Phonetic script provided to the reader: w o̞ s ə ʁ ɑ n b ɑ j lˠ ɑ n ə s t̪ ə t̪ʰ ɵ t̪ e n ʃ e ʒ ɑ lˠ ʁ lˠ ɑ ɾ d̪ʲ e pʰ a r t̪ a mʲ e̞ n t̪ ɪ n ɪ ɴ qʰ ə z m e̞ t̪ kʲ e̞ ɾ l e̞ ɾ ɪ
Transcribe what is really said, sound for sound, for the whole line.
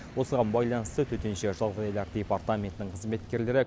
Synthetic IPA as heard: w o̞ s ə ʁ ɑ n b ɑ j lˠ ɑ n ə s t̪ ə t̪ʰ ɵ t̪ e n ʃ e ʒ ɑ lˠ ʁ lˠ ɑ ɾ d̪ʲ e p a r t̪ a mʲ e̞ n t̪ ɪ n ɪ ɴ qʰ ə z m e̞ t̪ kʲ e̞ ɾ l e̞ ɾ ɪ